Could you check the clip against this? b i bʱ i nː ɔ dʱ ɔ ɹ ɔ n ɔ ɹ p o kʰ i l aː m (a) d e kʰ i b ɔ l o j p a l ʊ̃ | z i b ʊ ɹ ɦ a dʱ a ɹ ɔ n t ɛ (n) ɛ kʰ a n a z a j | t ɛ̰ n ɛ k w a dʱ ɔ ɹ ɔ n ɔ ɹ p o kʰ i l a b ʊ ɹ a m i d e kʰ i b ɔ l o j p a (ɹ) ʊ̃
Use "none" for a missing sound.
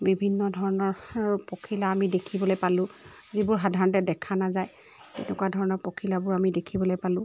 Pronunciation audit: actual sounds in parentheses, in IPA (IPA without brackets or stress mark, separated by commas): i, d, l